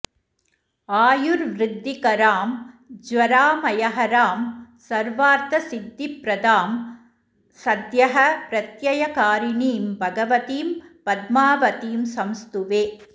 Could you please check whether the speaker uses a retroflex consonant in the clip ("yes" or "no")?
no